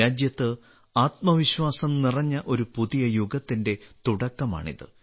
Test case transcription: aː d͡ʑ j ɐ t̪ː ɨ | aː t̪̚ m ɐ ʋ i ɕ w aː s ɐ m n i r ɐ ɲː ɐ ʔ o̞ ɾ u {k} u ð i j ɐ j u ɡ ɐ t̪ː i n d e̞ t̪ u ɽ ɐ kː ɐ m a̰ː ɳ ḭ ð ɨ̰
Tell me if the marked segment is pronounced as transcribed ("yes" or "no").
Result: no